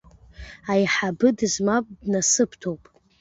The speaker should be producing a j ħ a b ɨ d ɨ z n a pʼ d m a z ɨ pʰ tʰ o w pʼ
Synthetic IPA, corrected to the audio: a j ħ a b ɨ d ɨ z m a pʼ d n a s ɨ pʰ tʰ o w pʼ